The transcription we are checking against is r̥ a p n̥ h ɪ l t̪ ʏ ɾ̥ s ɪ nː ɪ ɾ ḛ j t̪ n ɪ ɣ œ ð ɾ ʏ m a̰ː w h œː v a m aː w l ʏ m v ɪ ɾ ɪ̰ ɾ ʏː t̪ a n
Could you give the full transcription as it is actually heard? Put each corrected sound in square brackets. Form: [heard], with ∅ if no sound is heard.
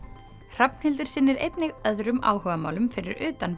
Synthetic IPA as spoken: r̥ a p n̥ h ɪ l t̪ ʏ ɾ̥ s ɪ nː ɪ ɾ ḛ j t̪ n ɪ ɣ œ ð ɾ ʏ m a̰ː w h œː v a m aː w l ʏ m [f] ɪ ɾ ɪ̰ ɾ ʏː t̪ a n

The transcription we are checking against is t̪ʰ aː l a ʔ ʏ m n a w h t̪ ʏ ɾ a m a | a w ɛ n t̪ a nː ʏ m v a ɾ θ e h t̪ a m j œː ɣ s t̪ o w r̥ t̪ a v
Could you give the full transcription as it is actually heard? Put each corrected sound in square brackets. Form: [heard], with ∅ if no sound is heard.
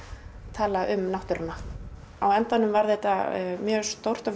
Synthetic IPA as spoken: t̪ʰ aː l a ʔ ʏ m n a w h t̪ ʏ ɾ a [n] a | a w ɛ n t̪ a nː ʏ m v a ɾ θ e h t̪ a m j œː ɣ s t̪ o w r̥ t̪ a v

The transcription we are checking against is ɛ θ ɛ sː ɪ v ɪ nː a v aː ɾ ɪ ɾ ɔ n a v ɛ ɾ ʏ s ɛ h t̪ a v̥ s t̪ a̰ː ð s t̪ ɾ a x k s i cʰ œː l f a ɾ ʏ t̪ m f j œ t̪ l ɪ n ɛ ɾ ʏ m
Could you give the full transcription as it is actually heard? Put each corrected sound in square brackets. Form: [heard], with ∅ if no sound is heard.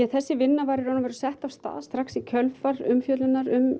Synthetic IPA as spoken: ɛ θ ɛ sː ɪ v ɪ nː a v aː ɾ ɪ ɾ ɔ n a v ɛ ɾ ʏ s ɛ h t̪ a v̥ s t̪ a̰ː ð s t̪ ɾ a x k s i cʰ [œ] l f a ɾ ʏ [∅] m f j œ t̪ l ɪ n [a] ɾ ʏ m

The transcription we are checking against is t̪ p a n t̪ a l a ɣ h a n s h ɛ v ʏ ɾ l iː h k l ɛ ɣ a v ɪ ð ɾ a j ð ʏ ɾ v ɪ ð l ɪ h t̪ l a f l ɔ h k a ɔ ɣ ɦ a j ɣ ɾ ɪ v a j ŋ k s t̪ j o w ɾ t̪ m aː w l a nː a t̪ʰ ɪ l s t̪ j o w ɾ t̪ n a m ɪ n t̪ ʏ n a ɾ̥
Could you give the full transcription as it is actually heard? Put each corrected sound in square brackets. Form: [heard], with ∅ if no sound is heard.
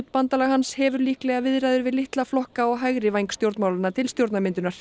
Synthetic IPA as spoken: t̪ p a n t̪ a l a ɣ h a n s h ɛ v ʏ ɾ l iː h k l ɛ ɣ a v ɪ ð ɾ a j ð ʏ ɾ v ɪ ð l ɪ h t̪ l a f l ɔ h k a ɔ ɣ ɦ a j ɣ ɾ ɪ v a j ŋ k s t̪ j o w ɾ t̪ m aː w l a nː a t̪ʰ ɪ l s t̪ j o w ɾ t̪ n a m ɪ n t̪ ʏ n a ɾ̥

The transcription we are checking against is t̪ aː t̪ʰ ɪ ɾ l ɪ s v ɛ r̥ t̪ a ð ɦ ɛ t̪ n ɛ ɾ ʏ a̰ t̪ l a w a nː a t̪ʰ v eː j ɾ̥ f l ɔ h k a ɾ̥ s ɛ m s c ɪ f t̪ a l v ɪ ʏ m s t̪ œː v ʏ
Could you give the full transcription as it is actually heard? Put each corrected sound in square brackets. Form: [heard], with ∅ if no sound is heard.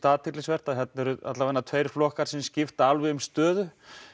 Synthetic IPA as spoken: t̪ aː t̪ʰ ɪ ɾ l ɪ s v ɛ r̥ t̪ a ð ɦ ɛ t̪ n ɛ ɾ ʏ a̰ t̪ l a [v] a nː a t̪ʰ v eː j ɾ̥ f l ɔ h k a ɾ̥ s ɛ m s c ɪ f t̪ a l v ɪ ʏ m s t̪ œː [ð] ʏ

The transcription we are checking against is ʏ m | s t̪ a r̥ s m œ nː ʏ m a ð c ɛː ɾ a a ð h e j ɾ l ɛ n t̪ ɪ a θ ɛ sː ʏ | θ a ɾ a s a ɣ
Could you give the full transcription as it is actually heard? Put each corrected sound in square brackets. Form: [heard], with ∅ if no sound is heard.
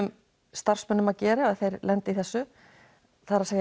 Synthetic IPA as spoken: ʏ m | s t̪ a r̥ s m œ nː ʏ m a ð c ɛː ɾ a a ð [θ] e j ɾ l ɛ n t̪ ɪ [i] θ ɛ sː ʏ | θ a ɾ a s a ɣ

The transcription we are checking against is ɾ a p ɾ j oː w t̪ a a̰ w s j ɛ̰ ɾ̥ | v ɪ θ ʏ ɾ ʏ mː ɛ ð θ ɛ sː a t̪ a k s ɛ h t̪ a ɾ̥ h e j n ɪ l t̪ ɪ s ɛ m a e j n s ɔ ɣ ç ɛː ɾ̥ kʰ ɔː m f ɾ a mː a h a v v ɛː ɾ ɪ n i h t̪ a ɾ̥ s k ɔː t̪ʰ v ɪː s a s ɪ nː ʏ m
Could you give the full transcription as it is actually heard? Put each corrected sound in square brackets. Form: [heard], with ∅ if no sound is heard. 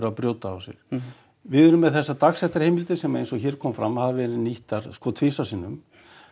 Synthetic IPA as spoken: ɾ a p ɾ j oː w t̪ a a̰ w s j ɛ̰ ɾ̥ | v ɪ [ð] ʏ ɾ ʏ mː ɛ ð θ ɛ sː a t̪ a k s ɛ h t̪ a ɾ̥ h e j [m] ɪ l t̪ ɪ s ɛ m a e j n s ɔ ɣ ç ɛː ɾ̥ kʰ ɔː m f ɾ a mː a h a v v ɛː ɾ ɪ n i h t̪ a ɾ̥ s k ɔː t̪ʰ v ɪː s a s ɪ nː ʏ m

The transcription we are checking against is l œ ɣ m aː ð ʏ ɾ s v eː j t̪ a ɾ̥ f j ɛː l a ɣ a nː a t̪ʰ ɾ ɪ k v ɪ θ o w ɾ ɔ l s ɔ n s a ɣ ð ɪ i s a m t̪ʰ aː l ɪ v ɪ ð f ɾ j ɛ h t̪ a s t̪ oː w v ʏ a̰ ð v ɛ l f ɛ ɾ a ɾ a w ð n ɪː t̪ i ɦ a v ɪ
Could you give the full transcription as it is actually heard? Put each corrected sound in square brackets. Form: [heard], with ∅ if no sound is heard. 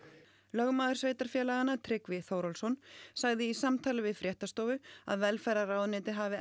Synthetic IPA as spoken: l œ ɣ m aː ð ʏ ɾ s v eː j t̪ a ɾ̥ f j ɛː l a ɣ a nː a t̪ʰ ɾ ɪ k v ɪ θ o w ɾ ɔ l s ɔ n s a ɣ ð ɪ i s a m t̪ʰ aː l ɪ v ɪ ð f ɾ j ɛ h t̪ a s t̪ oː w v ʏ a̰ ð v ɛ l f ɛ ɾ a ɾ a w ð n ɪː t̪ [ɪ] ɦ a v ɪ

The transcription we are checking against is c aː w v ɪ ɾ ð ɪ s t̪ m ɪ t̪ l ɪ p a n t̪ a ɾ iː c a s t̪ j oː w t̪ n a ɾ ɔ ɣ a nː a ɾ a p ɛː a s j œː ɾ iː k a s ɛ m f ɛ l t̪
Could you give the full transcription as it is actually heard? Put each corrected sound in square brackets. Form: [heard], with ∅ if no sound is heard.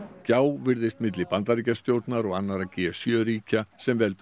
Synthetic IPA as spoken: c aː w v ɪ ɾ ð ɪ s t̪ m ɪ t̪ l ɪ p a n t̪ a ɾ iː c a s t̪ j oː w t̪ n a ɾ ɔ ɣ a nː a ɾ a [c] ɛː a s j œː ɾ iː [c] a s ɛ m [v] ɛ l t̪

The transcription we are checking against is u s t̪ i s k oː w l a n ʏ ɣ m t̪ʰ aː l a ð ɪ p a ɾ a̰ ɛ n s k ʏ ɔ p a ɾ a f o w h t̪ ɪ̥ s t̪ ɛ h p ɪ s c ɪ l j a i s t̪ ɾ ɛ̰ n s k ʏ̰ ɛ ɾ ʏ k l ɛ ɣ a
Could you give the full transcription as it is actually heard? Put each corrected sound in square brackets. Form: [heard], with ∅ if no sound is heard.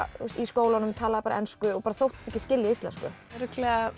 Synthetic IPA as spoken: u s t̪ i s k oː w l a n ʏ [∅] m t̪ʰ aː l a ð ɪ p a ɾ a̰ ɛ n s k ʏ ɔ p a ɾ a [θ] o w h t̪ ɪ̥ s t̪ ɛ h [c] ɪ s c ɪ l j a i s t̪ [l] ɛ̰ n s k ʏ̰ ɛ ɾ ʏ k l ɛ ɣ a

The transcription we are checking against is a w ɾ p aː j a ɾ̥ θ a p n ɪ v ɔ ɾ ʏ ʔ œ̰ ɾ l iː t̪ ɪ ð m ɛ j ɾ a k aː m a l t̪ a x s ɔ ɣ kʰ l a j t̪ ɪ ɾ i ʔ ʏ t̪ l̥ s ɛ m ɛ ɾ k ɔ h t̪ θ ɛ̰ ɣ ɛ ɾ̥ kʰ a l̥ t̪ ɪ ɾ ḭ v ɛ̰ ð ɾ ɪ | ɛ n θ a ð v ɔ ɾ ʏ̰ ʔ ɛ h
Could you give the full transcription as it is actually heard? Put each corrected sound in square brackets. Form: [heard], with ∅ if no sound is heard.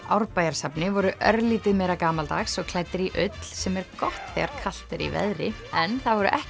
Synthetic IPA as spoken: a w ɾ p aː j a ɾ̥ [s] a p n ɪ v ɔ ɾ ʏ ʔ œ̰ ɾ l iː t̪ ɪ ð m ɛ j ɾ a k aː m a l t̪ a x s ɔ ɣ kʰ l a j t̪ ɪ ɾ i ʔ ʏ t̪ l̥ s ɛ m ɛ ɾ k ɔ h t̪ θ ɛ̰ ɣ [a] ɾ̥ kʰ a l̥ t̪ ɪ ɾ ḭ v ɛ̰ ð ɾ ɪ | ɛ n θ a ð v ɔ ɾ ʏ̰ ʔ ɛ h

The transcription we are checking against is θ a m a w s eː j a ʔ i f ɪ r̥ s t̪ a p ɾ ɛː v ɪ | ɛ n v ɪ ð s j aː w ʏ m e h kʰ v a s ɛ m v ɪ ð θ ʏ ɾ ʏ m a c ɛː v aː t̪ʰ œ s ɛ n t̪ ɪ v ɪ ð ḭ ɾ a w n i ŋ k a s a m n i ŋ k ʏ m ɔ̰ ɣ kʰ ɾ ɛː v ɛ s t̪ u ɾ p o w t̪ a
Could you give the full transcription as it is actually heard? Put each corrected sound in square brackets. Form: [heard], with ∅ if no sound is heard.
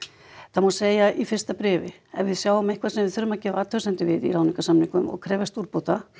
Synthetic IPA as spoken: θ a m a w s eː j a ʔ i f ɪ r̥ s t̪ a p ɾ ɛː v ɪ | ɛ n v ɪ ð s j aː w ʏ m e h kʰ v a s ɛ m v ɪ ð θ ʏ ɾ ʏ m a c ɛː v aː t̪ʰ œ s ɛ n t̪ ɪ v ɪ ð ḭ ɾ a w n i ŋ k a s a m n i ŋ k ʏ m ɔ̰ ɣ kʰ ɾ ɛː v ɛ s t̪ u ɾ p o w t̪ a

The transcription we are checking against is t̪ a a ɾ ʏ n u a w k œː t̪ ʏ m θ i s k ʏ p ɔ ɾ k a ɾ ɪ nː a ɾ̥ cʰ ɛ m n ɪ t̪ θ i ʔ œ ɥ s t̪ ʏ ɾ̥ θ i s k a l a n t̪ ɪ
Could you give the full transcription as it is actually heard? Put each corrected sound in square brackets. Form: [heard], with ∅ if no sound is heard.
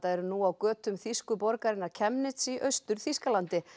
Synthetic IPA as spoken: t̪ a [ɛ] ɾ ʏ n u a w k œː t̪ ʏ m θ i s k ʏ p ɔ ɾ k a ɾ ɪ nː a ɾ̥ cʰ ɛ m n ɪ t̪ [s] i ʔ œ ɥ s t̪ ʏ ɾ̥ θ i s k a l a n t̪ ɪ

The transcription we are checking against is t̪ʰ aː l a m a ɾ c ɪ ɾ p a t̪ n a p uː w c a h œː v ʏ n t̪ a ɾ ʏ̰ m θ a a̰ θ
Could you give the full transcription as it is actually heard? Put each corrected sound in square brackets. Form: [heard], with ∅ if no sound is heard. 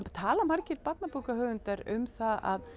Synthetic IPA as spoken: t̪ʰ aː l a m a ɾ c ɪ ɾ p a t̪ n a p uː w [k] a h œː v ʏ n t̪ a ɾ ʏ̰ m θ a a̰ [ð]

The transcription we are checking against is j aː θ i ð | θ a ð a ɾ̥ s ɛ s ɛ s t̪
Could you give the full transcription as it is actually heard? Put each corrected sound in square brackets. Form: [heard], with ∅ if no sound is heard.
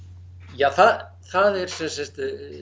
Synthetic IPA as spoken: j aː θ [a] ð | θ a ð [ɛ] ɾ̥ s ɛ s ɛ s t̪

